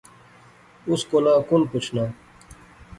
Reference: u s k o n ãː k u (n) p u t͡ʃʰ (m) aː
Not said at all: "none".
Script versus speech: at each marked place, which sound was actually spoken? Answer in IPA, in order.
n, n

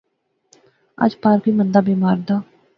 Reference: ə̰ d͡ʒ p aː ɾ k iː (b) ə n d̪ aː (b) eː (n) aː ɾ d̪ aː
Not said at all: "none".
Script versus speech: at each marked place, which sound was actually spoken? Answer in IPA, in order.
m, b, m

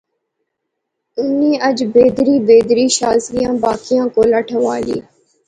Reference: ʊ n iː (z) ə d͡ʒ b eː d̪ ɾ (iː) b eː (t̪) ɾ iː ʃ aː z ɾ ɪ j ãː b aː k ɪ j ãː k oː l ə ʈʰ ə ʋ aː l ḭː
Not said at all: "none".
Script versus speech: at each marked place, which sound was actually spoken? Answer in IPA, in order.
none, iː, d̪

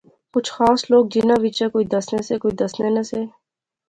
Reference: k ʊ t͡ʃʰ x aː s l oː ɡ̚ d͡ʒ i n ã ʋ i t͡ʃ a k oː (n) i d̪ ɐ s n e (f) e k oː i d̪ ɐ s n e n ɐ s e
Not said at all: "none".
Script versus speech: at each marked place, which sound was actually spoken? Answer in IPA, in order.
none, s

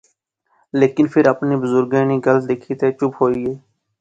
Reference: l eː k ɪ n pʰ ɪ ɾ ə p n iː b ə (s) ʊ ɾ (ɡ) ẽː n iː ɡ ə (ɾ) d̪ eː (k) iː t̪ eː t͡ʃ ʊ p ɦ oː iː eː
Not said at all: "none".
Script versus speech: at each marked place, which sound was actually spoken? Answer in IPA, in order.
z, ɡ, l, kʰ

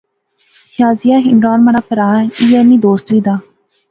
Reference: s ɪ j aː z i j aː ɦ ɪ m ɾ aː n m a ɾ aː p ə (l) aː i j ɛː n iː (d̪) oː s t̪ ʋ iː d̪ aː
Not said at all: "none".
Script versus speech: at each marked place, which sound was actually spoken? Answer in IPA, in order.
ɾ, d̪

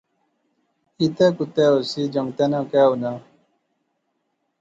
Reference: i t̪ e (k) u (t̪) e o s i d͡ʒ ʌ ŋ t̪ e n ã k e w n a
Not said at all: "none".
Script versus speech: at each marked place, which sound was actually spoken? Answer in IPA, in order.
k, t̪

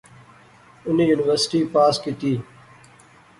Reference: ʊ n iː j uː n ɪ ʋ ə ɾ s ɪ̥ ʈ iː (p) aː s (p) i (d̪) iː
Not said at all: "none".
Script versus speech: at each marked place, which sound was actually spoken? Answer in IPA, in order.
p, k, t̪

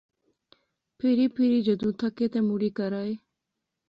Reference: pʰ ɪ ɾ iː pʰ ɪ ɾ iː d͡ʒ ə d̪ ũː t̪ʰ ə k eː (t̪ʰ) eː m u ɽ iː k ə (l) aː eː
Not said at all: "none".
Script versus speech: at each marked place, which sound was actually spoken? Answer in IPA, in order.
t̪, ɾ

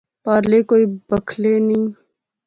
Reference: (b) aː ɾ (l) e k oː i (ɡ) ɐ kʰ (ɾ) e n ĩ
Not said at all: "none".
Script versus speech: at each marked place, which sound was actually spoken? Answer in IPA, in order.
p, l, b, l

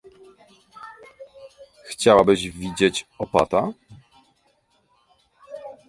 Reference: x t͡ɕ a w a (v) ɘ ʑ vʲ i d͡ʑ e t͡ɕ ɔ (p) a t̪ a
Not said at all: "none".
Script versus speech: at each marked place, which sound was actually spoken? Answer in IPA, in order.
b, p

